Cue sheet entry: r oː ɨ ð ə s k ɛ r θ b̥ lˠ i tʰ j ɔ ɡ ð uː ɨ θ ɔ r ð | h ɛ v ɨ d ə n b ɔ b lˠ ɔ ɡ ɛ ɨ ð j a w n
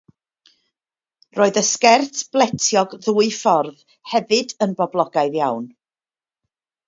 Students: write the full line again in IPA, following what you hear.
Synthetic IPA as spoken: r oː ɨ ð ə s k ɛ r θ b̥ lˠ ɛ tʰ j ɔ ɡ ð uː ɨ f ɔ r ð | h ɛ v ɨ d ə n b ɔ b lˠ ɔ ɡ a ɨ ð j a w n